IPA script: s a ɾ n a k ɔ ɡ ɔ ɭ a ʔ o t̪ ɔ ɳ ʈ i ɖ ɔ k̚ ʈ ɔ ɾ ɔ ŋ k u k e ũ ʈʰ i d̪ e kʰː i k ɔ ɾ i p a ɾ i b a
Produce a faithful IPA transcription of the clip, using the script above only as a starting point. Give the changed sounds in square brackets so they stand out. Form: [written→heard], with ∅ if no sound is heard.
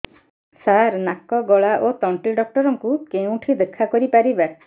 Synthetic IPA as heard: s a ɾ n a k ɔ ɡ ɔ ɭ a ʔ o t̪ ɔ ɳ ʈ i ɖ ɔ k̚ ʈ ɔ ɾ ɔ ŋ k u k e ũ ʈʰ i d̪ e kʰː [i→a] k ɔ ɾ i p a ɾ i b a